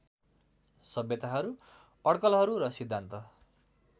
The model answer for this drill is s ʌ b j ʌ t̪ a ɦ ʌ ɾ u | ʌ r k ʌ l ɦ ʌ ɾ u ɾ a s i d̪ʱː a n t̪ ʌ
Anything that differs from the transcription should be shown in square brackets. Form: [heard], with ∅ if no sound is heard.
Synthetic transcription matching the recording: s ʌ b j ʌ t̪ a ɦ ʌ ɾ u | ʌ [ɽ] k ʌ l ɦ ʌ ɾ u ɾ [ʌ] s i d̪ʱː a n t̪ ʌ